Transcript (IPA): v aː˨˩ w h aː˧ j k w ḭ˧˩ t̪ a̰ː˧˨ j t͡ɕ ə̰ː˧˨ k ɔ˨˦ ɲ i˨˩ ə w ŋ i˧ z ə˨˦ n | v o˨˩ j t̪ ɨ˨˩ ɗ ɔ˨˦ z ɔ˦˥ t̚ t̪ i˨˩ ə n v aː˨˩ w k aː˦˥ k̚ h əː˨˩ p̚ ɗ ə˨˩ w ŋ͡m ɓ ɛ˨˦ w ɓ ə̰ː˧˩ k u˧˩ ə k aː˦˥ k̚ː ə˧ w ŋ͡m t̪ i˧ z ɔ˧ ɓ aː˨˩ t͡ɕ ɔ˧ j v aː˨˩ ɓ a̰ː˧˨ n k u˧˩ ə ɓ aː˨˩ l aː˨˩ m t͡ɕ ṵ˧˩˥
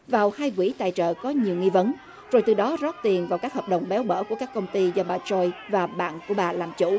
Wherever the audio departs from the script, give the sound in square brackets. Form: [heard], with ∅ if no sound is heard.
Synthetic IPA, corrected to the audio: v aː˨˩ w h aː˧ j k w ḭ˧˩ t̪ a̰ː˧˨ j t͡ɕ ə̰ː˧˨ k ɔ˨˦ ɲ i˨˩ ə w ŋ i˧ [v] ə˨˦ n | [z] o˨˩ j t̪ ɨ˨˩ ɗ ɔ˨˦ z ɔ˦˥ t̚ t̪ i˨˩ ə n v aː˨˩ w k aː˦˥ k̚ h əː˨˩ p̚ ɗ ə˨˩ w ŋ͡m ɓ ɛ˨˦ w ɓ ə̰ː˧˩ k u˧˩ ə k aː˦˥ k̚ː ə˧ w ŋ͡m t̪ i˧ z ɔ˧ ɓ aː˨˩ t͡ɕ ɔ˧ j v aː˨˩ ɓ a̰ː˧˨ n k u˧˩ ə ɓ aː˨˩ l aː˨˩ m t͡ɕ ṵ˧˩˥

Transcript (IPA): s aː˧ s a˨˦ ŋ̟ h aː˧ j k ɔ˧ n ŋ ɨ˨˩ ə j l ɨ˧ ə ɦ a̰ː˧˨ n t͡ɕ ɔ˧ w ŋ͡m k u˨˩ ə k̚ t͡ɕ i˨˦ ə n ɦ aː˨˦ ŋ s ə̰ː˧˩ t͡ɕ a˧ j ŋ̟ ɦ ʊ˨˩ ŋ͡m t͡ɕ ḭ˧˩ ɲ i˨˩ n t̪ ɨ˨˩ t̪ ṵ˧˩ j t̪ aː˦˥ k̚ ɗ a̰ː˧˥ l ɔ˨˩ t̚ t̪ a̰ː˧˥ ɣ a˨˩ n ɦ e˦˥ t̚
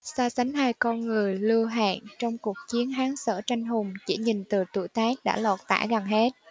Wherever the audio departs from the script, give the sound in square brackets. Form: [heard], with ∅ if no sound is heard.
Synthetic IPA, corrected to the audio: s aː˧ s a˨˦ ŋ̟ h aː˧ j k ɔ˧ n ŋ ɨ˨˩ ə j l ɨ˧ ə ɦ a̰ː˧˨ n t͡ɕ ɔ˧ w ŋ͡m k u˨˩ ə k̚ t͡ɕ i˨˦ ə n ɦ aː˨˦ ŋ s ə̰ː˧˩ t͡ɕ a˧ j ŋ̟ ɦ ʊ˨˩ ŋ͡m t͡ɕ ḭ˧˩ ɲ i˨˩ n t̪ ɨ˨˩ t̪ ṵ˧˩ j t̪ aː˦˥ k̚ ɗ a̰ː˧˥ l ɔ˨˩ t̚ t̪ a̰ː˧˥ ɣ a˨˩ n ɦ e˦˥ t̚

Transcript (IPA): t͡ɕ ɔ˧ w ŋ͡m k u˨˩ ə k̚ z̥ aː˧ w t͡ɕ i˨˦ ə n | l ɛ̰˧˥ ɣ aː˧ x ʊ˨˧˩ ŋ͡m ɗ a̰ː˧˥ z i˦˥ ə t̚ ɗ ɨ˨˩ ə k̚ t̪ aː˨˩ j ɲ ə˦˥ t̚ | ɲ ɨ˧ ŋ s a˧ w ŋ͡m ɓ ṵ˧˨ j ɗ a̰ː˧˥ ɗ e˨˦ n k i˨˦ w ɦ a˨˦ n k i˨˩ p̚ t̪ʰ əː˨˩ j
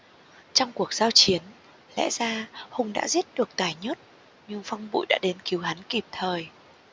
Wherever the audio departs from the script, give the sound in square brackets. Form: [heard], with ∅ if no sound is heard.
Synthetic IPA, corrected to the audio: t͡ɕ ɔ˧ w ŋ͡m k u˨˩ ə k̚ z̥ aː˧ w t͡ɕ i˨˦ ə n | l ɛ̰˧˥ [z] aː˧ [h] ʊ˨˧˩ ŋ͡m ɗ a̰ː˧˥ z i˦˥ ə t̚ ɗ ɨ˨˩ ə k̚ t̪ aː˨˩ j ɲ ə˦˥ t̚ | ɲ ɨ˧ ŋ [f] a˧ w ŋ͡m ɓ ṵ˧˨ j ɗ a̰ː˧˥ ɗ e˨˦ n k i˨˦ w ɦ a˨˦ n k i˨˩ p̚ t̪ʰ əː˨˩ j

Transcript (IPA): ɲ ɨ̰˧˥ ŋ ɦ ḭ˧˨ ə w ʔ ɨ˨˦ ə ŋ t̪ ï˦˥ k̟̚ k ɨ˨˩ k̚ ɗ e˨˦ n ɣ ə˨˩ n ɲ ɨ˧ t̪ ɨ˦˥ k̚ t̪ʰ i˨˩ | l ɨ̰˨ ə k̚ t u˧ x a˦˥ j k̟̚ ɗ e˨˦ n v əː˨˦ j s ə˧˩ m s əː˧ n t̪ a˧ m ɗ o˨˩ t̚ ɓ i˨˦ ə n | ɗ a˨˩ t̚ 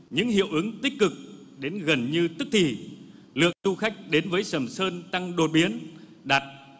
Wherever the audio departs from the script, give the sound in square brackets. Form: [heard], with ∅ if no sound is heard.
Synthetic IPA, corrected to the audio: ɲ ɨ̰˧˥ ŋ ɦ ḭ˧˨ ə w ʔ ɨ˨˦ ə ŋ t̪ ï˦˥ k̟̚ k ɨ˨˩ k̚ ɗ e˨˦ n ɣ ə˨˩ n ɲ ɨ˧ t̪ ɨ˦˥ k̚ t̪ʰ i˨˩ | l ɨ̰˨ ə k̚ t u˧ x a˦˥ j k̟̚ ɗ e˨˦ n v əː˨˦ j s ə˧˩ m s əː˧ n t̪ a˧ [ŋ] ɗ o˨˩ t̚ ɓ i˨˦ ə n | ɗ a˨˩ t̚

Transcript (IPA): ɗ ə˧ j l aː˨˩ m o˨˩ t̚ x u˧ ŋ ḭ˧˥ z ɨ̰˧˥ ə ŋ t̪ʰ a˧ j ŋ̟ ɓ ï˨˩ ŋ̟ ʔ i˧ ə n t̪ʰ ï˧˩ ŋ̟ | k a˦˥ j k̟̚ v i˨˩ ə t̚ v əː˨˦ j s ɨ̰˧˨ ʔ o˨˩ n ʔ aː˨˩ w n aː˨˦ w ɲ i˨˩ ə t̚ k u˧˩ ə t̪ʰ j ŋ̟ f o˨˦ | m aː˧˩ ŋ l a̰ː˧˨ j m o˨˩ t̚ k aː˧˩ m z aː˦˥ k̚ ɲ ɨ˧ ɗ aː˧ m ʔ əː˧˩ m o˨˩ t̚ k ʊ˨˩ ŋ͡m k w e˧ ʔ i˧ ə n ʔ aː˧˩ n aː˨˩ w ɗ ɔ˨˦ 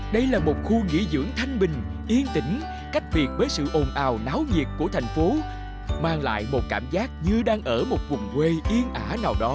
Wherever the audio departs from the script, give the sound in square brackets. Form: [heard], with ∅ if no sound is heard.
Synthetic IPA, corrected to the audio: ɗ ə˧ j l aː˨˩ m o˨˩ t̚ x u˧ ŋ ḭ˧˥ z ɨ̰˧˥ ə ŋ t̪ʰ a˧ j ŋ̟ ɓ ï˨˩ ŋ̟ ʔ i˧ ə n [t̪] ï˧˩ ŋ̟ | k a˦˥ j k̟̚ v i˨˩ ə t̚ v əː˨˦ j s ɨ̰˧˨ ʔ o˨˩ n ʔ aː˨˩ w n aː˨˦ w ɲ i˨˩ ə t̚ k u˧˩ ə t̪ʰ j ŋ̟ f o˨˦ | m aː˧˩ ŋ l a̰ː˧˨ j m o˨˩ t̚ k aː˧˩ m z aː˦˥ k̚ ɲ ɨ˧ ɗ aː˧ [ŋ] ʔ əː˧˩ m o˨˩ t̚ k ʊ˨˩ ŋ͡m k w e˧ ʔ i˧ ə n ʔ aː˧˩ n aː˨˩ w ɗ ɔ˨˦

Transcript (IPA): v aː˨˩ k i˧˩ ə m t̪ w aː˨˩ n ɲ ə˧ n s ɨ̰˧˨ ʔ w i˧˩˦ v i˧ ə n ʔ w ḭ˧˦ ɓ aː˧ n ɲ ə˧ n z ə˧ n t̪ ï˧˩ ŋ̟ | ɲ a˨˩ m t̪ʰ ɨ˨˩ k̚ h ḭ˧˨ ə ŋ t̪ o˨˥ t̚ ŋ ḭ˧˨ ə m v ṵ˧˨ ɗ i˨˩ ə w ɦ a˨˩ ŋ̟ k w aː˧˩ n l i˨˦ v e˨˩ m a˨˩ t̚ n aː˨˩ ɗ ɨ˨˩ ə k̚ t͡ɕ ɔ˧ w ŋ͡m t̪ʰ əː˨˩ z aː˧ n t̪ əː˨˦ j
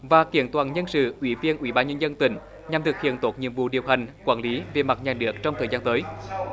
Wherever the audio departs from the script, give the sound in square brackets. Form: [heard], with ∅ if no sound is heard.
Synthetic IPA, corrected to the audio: v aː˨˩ k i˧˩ ə [n] t̪ w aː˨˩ n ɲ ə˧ n s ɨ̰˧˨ ʔ w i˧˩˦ v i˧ ə n ʔ w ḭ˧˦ ɓ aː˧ n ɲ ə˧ n z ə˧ n t̪ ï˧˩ ŋ̟ | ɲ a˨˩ m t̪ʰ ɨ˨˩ k̚ h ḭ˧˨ ə [n] t̪ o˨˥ t̚ [ɲ] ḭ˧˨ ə m v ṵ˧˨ ɗ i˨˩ ə w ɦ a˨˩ ŋ̟ k w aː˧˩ n l i˨˦ v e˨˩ m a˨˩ t̚ [ɲ] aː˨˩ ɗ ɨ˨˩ ə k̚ t͡ɕ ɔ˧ w ŋ͡m t̪ʰ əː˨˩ z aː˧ n t̪ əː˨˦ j

